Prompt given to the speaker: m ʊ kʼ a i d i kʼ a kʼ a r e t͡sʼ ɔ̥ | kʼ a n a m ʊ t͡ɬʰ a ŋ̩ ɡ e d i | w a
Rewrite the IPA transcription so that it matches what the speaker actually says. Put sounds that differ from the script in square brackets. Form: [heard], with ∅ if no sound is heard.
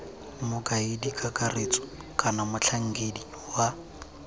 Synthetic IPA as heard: m ʊ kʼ a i d i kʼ a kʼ a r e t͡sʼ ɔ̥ | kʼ a n a m ʊ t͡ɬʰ a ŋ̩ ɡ e d i | w a